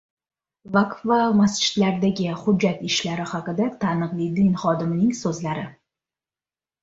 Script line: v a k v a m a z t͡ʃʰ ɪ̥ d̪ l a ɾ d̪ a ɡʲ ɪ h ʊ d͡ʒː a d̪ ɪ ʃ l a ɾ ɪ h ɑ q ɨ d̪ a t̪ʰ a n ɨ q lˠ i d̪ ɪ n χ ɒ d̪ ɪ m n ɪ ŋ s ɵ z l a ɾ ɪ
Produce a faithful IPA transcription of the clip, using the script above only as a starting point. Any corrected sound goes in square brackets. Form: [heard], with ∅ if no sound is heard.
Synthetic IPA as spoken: v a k v a m a [s] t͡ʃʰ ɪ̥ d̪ l a ɾ d̪ a ɡʲ ɪ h ʊ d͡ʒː a [t̪] ɪ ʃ l a ɾ ɪ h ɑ q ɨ d̪ a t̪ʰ a n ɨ q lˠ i d̪ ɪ n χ ɒ d̪ ɪ m n ɪ ŋ s ɵ z l a ɾ ɪ